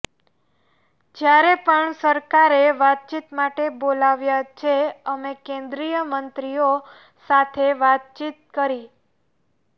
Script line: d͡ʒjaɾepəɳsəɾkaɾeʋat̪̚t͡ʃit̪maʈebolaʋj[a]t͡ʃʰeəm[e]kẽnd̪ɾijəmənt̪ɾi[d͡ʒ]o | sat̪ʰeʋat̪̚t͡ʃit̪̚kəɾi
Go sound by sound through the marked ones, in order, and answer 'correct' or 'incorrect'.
correct, correct, incorrect: none

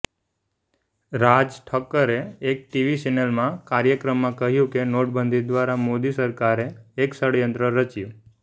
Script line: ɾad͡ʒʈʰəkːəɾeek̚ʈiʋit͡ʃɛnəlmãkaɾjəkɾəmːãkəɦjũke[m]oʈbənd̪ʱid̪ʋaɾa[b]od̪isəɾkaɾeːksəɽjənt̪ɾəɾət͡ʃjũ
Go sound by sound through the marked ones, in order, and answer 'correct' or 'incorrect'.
incorrect: n, incorrect: m

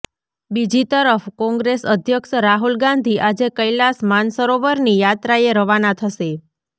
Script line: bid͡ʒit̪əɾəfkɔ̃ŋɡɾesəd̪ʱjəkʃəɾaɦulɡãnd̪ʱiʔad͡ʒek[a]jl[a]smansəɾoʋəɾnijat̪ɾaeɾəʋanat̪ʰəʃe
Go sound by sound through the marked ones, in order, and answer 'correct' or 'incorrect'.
incorrect: ə, correct

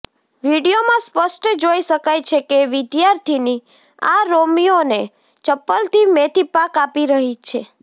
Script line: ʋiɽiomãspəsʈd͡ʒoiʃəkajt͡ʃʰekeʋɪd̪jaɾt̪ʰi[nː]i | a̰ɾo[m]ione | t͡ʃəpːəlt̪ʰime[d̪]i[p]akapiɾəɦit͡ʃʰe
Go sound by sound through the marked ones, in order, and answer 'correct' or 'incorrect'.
incorrect: n, correct, incorrect: t̪, correct

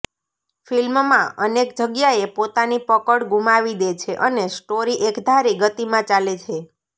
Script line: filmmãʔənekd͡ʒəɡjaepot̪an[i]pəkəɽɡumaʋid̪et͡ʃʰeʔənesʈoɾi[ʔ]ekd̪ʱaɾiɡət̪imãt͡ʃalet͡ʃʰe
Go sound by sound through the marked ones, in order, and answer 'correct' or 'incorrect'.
correct, correct

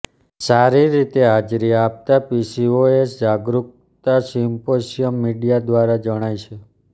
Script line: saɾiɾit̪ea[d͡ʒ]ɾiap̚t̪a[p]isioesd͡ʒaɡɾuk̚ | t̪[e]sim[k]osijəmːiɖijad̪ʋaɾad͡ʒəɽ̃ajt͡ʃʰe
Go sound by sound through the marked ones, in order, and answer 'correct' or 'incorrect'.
correct, correct, incorrect: a, incorrect: p

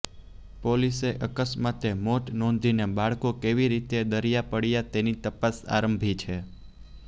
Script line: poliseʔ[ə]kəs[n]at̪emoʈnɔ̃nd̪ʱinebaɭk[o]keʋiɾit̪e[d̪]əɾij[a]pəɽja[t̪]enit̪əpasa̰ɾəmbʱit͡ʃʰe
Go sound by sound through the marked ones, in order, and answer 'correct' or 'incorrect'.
correct, incorrect: m, correct, correct, correct, correct

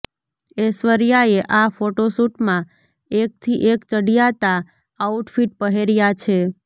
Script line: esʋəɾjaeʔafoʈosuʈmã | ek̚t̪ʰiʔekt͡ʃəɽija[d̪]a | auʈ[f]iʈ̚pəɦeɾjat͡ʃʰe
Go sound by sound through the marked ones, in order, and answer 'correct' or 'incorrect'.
incorrect: t̪, correct

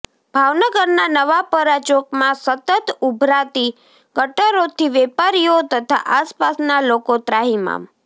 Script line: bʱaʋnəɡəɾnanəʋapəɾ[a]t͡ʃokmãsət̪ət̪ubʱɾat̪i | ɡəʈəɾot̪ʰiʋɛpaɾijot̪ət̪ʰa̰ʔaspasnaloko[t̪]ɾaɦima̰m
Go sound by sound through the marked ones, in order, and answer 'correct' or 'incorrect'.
correct, correct

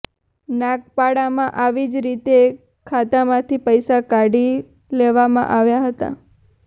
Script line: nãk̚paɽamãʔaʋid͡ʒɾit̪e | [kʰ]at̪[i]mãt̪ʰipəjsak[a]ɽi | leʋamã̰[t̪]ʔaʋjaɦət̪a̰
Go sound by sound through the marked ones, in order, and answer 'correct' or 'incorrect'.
correct, incorrect: a, correct, incorrect: none

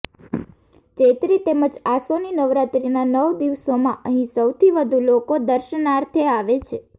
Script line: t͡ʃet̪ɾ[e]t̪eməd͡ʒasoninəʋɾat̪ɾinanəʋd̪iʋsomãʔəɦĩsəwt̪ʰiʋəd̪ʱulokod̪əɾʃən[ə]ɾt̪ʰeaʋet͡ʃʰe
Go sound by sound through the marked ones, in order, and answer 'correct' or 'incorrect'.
incorrect: i, incorrect: a

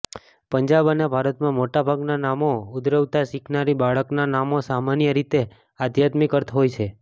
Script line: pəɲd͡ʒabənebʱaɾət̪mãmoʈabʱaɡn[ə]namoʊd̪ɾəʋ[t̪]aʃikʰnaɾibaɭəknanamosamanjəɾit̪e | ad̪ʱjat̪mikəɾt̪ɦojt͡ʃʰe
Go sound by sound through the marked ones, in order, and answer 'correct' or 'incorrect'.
incorrect: a, correct

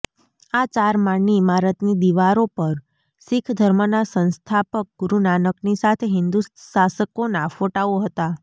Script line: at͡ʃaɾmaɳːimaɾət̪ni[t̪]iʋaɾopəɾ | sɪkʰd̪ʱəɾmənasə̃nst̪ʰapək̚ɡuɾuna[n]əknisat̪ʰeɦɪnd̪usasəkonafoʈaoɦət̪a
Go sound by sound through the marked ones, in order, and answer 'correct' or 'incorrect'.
incorrect: d̪, correct

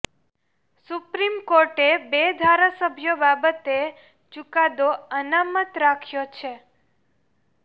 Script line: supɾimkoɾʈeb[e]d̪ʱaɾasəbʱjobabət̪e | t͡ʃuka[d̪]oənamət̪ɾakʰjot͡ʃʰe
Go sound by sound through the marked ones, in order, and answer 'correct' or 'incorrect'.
correct, correct

